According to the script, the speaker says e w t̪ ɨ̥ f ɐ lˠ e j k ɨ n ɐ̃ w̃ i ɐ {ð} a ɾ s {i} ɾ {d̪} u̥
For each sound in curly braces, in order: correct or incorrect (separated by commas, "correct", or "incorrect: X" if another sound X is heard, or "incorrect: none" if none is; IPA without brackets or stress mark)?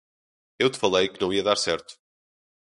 correct, incorrect: ɛ, incorrect: t̪